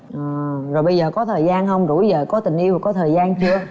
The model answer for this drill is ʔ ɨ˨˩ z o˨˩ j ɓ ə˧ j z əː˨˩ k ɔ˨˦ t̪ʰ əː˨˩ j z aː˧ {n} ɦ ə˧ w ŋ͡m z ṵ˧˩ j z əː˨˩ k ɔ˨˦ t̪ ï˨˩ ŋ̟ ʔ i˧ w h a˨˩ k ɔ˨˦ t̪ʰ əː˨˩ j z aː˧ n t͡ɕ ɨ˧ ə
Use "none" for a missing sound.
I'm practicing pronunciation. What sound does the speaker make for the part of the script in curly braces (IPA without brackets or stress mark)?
n